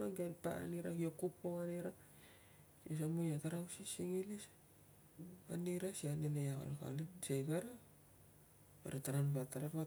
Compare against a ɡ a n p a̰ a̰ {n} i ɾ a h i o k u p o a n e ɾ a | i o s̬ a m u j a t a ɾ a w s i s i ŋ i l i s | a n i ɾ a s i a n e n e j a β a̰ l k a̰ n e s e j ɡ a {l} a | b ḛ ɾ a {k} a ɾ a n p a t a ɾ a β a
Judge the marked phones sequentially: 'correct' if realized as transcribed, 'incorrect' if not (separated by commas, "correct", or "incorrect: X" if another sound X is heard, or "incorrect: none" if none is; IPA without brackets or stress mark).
correct, incorrect: ɾ, incorrect: t